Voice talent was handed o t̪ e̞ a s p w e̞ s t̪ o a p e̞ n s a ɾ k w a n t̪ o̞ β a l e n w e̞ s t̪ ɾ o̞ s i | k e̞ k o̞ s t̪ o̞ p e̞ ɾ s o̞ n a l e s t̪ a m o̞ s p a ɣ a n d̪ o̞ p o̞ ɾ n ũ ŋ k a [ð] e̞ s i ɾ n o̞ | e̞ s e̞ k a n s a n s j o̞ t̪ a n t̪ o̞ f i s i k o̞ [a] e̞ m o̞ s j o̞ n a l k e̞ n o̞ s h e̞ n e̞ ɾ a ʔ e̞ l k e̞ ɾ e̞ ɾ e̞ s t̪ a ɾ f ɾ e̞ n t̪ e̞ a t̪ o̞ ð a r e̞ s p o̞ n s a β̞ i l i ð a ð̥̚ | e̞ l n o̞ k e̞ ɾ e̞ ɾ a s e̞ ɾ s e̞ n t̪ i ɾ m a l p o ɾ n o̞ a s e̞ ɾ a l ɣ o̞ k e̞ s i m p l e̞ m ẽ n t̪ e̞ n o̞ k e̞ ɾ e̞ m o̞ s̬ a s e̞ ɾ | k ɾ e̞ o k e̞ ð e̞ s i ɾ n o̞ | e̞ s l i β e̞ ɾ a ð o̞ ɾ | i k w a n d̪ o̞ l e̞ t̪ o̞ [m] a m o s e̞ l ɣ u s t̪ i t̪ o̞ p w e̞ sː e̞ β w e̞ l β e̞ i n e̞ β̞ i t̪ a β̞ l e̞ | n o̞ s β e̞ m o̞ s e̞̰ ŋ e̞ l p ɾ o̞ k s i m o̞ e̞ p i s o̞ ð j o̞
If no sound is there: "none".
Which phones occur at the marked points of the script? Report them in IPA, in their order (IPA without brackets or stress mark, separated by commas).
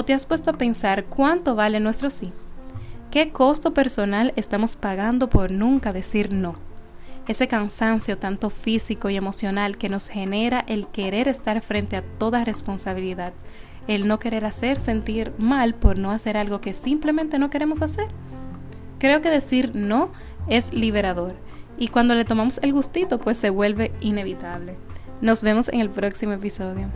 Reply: ð, i, m